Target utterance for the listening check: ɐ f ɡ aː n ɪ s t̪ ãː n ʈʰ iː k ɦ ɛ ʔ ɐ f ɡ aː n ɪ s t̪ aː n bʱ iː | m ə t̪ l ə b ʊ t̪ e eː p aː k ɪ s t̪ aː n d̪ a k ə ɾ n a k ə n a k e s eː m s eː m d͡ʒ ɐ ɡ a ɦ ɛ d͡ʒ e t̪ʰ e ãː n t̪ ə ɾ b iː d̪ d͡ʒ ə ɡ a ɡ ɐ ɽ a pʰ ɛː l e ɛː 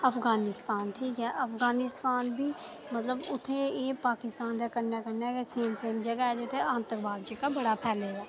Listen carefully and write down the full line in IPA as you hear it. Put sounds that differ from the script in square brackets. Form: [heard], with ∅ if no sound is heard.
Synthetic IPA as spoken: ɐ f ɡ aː n ɪ s t̪ [aː] n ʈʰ iː k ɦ ɛ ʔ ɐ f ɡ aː n ɪ s t̪ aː n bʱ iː | m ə t̪ l ə b ʊ [t̪ʰ] e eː p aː k ɪ s t̪ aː n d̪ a k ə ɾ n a k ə n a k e s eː m s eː m d͡ʒ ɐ ɡ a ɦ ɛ d͡ʒ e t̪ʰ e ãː n t̪ ə ɾ b [aː] d̪ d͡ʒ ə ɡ a [b] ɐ ɽ a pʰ ɛː l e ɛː